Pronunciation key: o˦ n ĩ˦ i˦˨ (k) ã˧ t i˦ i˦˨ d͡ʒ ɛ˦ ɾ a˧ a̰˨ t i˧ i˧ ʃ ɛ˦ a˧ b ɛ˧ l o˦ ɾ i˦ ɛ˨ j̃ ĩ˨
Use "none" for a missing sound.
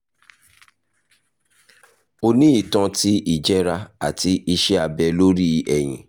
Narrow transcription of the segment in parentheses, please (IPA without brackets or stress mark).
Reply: t